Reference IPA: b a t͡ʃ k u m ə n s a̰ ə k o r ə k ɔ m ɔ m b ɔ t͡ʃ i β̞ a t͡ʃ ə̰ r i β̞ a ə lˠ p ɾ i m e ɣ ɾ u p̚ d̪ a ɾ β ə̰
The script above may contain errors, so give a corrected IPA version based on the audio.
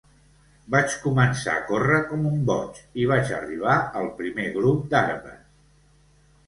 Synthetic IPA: b a t͡ʃ k u m ə n s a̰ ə k o r ə k ɔ m u m b ɔ t͡ʃ i β̞ a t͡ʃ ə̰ r i β̞ a ə lˠ p ɾ i m e ɣ ɾ u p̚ d̪ a ɾ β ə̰